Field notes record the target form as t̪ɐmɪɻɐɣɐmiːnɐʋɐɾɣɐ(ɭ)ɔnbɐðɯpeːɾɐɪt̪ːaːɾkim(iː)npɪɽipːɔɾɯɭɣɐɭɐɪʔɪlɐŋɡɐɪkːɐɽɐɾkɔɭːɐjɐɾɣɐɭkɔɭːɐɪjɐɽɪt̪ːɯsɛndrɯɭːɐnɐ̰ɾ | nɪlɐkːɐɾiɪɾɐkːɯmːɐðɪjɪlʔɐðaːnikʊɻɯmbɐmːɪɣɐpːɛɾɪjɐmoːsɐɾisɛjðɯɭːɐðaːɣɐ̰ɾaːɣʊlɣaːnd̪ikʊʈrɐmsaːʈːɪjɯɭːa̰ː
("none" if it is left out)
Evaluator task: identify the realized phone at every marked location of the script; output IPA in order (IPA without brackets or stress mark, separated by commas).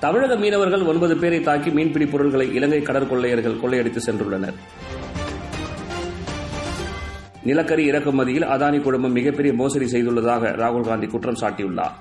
ɭ, iː